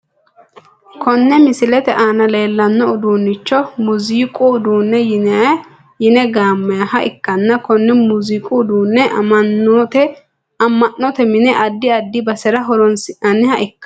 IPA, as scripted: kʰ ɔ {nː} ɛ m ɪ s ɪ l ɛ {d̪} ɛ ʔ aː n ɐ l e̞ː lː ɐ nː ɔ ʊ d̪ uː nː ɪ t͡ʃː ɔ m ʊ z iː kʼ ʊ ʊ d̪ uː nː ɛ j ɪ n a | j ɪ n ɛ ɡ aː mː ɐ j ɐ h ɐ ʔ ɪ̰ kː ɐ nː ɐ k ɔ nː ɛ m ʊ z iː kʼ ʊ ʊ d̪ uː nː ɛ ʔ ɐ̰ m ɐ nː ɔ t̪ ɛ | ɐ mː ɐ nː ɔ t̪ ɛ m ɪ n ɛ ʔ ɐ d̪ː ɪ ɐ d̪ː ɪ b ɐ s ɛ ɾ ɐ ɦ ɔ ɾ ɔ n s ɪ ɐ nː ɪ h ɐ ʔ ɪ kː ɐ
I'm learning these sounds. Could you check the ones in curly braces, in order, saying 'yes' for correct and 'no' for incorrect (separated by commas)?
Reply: yes, no